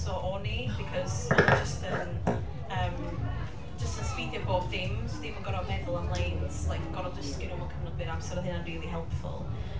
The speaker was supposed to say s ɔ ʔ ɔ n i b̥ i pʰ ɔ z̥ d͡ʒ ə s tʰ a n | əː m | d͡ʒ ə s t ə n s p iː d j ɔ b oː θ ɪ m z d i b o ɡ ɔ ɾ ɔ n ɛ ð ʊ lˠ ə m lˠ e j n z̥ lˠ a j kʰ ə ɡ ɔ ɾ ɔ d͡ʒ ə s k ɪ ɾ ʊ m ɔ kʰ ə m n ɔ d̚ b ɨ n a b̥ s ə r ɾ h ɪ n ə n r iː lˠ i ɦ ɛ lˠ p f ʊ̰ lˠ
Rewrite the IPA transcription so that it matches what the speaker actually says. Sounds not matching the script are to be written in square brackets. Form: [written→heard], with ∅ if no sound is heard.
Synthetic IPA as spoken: s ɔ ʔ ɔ n i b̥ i [pʰ→kʰ] ɔ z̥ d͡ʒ ə s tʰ [a→ə] n | əː m | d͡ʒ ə s t ə n s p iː d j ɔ b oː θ ɪ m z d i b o ɡ ɔ ɾ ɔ [n→m] ɛ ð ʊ lˠ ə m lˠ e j n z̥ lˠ a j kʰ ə ɡ ɔ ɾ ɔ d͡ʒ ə s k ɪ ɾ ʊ m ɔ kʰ ə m n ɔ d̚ b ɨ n a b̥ s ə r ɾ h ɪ n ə n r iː lˠ i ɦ ɛ lˠ p f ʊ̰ lˠ